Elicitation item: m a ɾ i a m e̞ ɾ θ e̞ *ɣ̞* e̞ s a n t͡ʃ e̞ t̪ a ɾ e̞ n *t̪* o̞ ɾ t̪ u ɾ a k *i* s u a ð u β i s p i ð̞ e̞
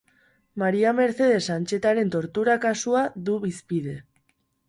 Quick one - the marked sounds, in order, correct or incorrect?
incorrect: ð̞, correct, incorrect: a

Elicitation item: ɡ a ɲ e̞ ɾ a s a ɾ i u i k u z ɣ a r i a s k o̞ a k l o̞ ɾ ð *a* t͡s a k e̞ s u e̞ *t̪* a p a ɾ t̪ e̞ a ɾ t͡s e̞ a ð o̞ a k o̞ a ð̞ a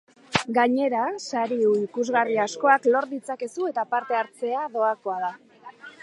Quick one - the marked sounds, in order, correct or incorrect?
incorrect: i, correct

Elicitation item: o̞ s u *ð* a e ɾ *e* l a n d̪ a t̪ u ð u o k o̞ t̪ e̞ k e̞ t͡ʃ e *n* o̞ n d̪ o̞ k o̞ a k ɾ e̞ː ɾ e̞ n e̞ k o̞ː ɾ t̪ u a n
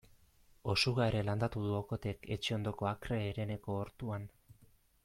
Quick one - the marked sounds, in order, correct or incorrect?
incorrect: ɣ, correct, incorrect: none

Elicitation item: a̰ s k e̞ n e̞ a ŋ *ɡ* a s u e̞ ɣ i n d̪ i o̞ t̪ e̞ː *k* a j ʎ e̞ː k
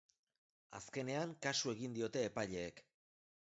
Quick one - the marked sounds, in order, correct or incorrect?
incorrect: k, incorrect: p

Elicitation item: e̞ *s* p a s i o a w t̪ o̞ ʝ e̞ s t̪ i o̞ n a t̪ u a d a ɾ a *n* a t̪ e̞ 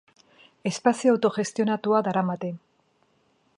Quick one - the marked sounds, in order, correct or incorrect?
correct, incorrect: m

